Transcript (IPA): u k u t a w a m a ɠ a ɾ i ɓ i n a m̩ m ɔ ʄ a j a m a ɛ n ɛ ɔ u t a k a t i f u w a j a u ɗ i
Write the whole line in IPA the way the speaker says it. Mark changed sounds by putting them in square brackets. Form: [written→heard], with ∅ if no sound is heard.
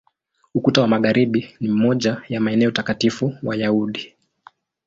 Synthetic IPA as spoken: u k u t a w a m a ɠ a ɾ i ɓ i n [a→i] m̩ m ɔ ʄ a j a m a ɛ n ɛ ɔ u t a k a t i f u w a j a u ɗ i